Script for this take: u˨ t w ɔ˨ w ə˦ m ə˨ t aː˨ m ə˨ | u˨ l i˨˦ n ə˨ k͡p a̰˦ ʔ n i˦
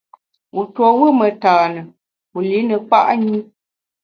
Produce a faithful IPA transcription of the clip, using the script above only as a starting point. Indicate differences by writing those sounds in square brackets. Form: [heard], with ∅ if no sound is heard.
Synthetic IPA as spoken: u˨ t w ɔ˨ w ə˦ m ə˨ t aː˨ [n] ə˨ | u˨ l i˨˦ n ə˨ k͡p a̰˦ ʔ [ɲ] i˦